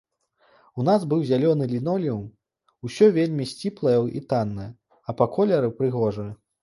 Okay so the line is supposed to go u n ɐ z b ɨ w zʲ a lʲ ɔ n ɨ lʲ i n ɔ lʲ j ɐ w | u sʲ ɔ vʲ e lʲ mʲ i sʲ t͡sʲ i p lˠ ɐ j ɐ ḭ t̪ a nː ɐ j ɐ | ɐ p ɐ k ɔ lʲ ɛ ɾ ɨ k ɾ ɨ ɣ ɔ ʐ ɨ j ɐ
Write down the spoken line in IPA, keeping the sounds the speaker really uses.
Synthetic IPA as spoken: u n a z b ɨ w zʲ a lʲ ɔ n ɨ lʲ i n ɔ lʲ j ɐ w | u sʲ ɔ vʲ e lʲ mʲ i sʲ t͡sʲ i p lˠ ɐ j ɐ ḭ t̪ a nː ɐ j ɐ | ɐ p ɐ k ɔ lʲ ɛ ɾ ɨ p ɾ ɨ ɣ ɔ ʐ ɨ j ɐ